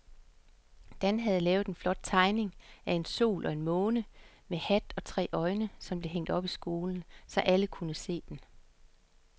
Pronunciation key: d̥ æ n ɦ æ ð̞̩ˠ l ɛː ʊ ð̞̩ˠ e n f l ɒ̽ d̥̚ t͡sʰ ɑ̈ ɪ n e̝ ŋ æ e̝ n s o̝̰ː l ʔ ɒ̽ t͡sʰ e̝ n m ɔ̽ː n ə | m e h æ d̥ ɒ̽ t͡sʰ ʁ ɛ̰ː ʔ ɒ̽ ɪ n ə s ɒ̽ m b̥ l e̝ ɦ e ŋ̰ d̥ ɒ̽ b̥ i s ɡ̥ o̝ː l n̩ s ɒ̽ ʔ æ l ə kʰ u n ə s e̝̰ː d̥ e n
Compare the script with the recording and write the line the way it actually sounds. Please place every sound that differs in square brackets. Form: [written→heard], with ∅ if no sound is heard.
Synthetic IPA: d̥ æ n ɦ æ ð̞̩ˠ l ɛː ʊ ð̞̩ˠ e n f l ɒ̽ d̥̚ t͡sʰ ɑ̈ ɪ n e̝ ŋ æ e̝ n s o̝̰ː l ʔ ɒ̽ [t͡sʰ→∅] e̝ n m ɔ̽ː n ə | m e h æ d̥ ɒ̽ t͡sʰ ʁ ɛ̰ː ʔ ɒ̽ ɪ n ə s ɒ̽ m b̥ l e̝ ɦ e ŋ̰ d̥ ɒ̽ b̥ i s ɡ̥ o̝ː l n̩ s ɒ̽ ʔ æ l ə kʰ u n ə s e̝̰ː d̥ e n

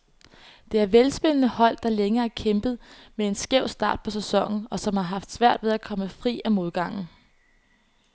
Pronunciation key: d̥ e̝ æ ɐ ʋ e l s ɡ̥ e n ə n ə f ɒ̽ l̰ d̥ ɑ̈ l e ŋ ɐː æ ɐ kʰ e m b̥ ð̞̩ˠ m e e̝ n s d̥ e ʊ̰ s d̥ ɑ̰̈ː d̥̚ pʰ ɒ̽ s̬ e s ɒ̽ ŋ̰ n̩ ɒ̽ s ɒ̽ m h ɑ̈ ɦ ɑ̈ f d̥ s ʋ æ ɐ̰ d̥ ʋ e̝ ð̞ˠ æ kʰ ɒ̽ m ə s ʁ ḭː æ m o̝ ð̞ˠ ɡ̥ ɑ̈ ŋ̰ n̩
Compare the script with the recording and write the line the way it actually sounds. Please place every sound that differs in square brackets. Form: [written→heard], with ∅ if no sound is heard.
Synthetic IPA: d̥ e̝ æ ɐ ʋ e l s [ɡ̥→b̥] e n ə n ə [f→h] ɒ̽ l̰ d̥ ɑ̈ l e ŋ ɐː æ ɐ kʰ e m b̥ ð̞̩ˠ m e e̝ n s [d̥→ɡ̥] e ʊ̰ s d̥ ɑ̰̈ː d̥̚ pʰ ɒ̽ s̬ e s ɒ̽ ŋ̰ n̩ ɒ̽ s ɒ̽ m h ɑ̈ ɦ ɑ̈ f d̥ s ʋ æ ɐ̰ d̥ ʋ e̝ ð̞ˠ æ kʰ ɒ̽ m ə [s→f] ʁ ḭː æ m o̝ ð̞ˠ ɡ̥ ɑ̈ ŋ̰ n̩

